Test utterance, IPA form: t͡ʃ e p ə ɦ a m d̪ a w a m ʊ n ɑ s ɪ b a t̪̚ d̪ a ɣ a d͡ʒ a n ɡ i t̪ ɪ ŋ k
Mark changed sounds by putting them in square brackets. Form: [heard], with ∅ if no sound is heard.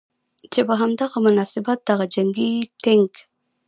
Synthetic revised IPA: t͡ʃ e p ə ɦ a m d̪ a [ɣ] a m ʊ n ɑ s ɪ b a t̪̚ d̪ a ɣ a d͡ʒ a [ŋ] ɡ i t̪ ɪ ŋ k